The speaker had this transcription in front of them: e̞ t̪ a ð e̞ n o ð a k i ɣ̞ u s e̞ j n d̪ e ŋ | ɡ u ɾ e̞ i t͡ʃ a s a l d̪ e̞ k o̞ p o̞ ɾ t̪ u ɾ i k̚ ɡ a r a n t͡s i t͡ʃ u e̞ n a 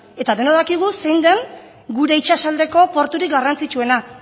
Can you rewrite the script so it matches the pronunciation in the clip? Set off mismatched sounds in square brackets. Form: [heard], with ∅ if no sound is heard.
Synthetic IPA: e̞ t̪ a ð e̞ n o ð a k i ɣ̞ u s e̞ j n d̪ e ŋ | ɡ u ɾ e̞ i t͡ʃ a s a l d̪ e̞ k o̞ p o̞ ɾ t̪ u ɾ i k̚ ɡ a r a n t͡s i t͡ʃ u e̞ n a